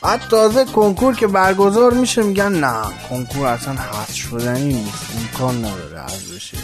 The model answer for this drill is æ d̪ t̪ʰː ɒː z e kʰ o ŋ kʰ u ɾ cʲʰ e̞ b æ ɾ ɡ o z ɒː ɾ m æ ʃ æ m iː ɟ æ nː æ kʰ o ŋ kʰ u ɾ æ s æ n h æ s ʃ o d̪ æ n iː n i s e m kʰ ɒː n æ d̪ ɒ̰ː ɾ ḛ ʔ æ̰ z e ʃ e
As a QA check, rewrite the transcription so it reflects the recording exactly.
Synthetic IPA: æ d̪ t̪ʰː ɒː z e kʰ o ŋ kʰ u ɾ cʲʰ e̞ b æ ɾ ɡ o z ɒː ɾ m i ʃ e m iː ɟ æ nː æ kʰ o ŋ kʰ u ɾ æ s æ n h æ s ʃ o d̪ æ n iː n i s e m kʰ ɒː nː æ d̪ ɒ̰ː ɾ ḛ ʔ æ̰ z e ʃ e